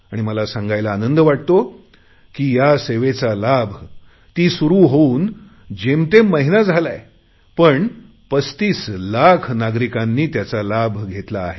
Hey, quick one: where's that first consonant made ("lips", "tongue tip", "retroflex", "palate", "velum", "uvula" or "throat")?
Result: retroflex